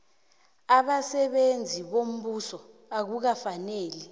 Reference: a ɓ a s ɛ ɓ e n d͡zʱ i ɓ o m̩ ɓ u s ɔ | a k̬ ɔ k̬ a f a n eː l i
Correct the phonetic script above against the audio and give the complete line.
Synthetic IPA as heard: a ɓ a s ɛ ɓ e n d͡zʱ i ɓ o m̩ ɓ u s ɔ | a k̬ u k̬ a f a n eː l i